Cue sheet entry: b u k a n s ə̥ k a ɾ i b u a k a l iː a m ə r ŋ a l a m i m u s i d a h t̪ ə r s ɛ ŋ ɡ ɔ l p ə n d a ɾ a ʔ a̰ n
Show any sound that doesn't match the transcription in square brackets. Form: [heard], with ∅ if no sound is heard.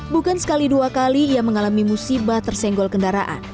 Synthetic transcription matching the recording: b u k a n s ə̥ k a [l] i [d] u a k a l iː a m ə [∅] ŋ a l a m i m u s i [b] a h t̪ ə r s ɛ ŋ ɡ ɔ l [k] ə n d a ɾ a ʔ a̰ n